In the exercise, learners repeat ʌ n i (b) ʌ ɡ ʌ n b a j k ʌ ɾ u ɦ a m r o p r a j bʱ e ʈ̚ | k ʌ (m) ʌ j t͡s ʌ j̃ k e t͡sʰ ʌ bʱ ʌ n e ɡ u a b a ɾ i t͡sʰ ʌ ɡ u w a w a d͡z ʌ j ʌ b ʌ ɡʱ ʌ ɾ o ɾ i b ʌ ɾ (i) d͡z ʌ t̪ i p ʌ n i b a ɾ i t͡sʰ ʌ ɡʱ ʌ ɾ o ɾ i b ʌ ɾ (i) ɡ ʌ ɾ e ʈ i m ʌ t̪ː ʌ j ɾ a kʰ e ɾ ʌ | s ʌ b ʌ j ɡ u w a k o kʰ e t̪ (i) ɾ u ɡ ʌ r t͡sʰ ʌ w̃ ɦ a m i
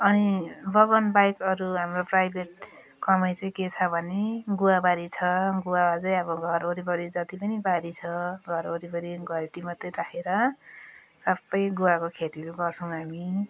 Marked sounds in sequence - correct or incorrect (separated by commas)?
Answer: correct, correct, correct, correct, correct